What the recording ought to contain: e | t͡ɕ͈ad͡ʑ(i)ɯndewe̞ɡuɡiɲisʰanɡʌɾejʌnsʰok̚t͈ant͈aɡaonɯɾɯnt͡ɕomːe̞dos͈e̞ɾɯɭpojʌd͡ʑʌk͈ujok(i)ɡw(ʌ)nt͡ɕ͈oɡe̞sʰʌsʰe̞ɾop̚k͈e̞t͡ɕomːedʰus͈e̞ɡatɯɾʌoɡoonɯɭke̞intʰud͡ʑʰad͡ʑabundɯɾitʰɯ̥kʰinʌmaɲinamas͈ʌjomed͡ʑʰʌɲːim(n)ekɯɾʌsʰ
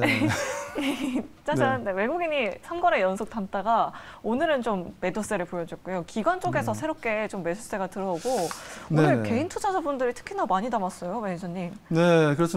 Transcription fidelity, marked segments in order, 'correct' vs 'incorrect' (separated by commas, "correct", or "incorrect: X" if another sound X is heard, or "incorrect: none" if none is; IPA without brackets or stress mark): incorrect: a, correct, incorrect: a, correct